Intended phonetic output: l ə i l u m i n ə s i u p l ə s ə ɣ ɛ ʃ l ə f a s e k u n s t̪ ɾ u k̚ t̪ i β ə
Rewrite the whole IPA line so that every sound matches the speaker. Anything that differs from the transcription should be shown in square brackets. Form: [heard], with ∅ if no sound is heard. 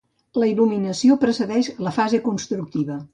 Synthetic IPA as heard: l ə i l u m i n ə s i [o] p [ɾ] ə s ə [ð] ɛ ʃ l ə f a [z] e k u n s t̪ ɾ u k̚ t̪ i β ə